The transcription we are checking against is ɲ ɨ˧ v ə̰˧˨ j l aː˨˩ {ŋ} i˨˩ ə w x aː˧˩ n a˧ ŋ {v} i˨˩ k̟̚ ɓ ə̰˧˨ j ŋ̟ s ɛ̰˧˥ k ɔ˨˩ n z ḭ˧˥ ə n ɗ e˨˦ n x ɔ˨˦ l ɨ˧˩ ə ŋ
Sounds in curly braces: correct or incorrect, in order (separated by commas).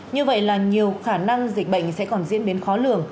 incorrect, incorrect